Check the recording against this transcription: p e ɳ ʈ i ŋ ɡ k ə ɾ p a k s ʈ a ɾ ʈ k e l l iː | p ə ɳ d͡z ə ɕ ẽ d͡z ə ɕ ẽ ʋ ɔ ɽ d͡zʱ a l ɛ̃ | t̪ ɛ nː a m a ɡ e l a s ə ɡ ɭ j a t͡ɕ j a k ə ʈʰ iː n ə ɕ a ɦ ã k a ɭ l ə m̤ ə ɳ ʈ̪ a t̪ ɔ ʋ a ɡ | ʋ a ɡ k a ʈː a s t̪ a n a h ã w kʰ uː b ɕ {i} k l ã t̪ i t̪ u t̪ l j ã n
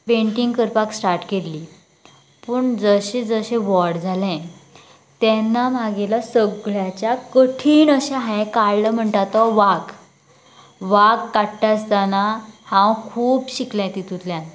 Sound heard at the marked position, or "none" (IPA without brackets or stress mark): i